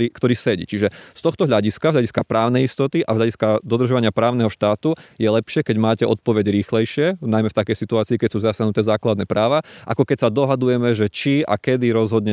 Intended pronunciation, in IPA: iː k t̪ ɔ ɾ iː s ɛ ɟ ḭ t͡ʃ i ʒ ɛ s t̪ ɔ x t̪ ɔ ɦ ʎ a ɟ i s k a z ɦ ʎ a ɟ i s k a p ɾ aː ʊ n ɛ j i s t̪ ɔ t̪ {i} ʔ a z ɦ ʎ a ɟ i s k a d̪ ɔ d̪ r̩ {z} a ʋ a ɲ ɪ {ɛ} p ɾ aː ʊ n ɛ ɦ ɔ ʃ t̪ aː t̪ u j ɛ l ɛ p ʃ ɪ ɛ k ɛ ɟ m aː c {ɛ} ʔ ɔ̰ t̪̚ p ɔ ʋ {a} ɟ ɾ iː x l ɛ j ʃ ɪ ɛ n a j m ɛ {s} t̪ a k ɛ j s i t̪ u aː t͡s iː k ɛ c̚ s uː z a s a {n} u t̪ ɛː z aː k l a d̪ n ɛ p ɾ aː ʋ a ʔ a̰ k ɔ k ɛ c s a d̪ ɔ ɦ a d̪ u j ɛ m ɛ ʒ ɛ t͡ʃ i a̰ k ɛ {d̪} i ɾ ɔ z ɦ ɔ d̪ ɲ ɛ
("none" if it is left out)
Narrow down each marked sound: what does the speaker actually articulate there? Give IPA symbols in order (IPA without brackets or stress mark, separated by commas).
i, ʒ, a, ɛ, ɛ, f, n, d̪